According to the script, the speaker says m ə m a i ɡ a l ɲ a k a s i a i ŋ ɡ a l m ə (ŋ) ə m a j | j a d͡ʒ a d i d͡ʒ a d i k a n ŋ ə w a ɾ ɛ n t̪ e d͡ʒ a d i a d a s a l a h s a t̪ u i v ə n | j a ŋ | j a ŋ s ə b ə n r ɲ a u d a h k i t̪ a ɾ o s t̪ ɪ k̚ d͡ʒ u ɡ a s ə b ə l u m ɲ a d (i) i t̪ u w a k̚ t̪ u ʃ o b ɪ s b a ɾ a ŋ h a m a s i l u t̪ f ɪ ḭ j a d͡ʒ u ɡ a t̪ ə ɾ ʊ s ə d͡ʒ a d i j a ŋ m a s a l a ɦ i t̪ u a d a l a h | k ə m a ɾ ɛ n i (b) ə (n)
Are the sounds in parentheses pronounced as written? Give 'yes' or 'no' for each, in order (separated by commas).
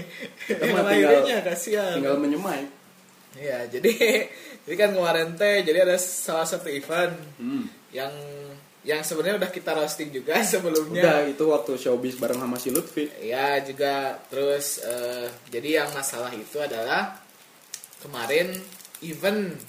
no, no, no, yes